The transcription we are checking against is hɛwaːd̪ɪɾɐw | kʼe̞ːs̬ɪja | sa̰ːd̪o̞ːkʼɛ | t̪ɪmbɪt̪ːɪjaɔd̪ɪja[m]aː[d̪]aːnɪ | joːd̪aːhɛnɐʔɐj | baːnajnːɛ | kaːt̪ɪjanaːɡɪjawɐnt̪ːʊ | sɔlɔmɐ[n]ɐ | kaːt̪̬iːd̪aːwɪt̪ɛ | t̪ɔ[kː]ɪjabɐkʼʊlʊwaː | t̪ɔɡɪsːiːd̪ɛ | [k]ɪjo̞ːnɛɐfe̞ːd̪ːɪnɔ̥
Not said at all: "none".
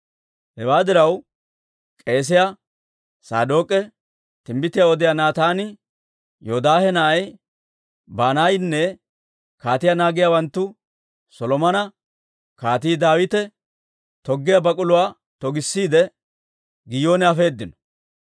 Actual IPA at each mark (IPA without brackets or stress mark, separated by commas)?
n, t̪, n, ɡː, ɡ